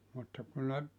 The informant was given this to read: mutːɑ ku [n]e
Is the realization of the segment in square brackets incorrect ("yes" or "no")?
no